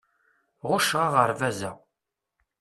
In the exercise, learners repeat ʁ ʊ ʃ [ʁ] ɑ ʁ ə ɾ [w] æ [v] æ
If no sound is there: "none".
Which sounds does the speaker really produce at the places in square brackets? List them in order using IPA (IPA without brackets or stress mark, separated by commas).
ʁ, v, z